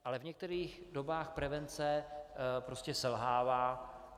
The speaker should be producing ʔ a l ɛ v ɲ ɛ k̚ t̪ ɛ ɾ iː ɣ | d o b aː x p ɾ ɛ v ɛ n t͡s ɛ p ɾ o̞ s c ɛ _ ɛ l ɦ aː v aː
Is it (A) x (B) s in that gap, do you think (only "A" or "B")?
B